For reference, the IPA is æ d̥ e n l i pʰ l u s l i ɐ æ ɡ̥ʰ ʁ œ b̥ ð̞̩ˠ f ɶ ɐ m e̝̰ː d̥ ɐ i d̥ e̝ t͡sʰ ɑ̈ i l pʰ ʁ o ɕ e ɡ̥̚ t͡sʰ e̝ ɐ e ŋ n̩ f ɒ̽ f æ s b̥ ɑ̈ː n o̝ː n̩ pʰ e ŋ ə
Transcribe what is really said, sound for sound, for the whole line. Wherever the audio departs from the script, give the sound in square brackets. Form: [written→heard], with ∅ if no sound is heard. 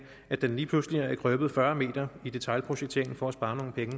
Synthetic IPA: æ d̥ e n l [i→iː] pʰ l u s l i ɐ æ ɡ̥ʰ ʁ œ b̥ ð̞̩ˠ f ɶ ɐ m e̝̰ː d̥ ɐ i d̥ e̝ t͡sʰ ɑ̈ [i→ɪ] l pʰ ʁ o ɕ e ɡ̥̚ t͡sʰ e̝ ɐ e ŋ n̩ f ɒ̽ [f→∅] æ s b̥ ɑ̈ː n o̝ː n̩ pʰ e ŋ ə